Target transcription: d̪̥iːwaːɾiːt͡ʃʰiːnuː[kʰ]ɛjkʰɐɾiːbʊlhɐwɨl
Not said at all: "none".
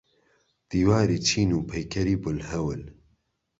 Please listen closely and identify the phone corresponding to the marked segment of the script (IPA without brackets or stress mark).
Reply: pʰ